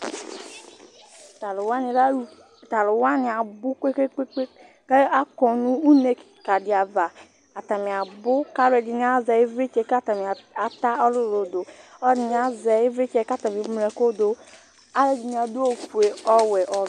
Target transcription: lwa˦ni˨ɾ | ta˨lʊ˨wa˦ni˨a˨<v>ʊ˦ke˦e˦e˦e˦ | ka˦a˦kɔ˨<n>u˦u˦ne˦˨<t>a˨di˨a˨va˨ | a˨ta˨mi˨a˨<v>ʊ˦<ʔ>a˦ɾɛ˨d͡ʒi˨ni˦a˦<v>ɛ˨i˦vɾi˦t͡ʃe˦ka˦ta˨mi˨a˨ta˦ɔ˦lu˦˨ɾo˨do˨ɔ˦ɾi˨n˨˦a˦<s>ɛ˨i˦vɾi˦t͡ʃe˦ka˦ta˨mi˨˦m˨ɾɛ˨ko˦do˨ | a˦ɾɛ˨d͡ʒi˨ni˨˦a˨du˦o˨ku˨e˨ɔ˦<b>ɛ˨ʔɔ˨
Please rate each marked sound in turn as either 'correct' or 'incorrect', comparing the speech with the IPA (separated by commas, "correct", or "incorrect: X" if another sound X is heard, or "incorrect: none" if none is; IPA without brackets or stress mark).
incorrect: b, correct, incorrect: k, incorrect: b, incorrect: k, incorrect: z, incorrect: z, incorrect: w